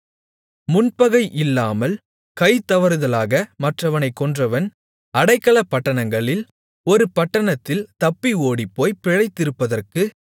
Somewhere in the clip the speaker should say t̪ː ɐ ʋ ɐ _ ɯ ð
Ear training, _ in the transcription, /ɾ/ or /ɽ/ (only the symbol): ɾ